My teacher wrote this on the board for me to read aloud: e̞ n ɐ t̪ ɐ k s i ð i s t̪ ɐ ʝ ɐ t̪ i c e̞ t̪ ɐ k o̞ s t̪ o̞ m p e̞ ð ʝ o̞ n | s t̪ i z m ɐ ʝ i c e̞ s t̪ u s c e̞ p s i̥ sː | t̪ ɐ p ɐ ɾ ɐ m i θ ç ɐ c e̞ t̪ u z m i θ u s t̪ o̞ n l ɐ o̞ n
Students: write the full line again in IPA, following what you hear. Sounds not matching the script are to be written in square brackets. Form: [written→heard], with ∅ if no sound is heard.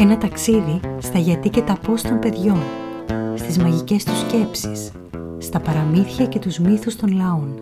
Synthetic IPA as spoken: e̞ n ɐ t̪ ɐ k s i ð i s t̪ ɐ ʝ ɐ t̪ i c e̞ t̪ ɐ [k→p] o̞ s t̪ o̞ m p e̞ ð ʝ o̞ n | s t̪ i z m ɐ ʝ i c e̞ s t̪ u s c e̞ p s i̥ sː | t̪ ɐ p ɐ ɾ ɐ m i θ ç ɐ c e̞ t̪ u z m i θ u s t̪ o̞ n l ɐ o̞ n